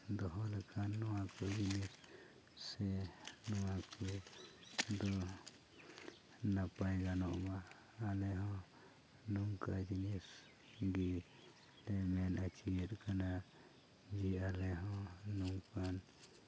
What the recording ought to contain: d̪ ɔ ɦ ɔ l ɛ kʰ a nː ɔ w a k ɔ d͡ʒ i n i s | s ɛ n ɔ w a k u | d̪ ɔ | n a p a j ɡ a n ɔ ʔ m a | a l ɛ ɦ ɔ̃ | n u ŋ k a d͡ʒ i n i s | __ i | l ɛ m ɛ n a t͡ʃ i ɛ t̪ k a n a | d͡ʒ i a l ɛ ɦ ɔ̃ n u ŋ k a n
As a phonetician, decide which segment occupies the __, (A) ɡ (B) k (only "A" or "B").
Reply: A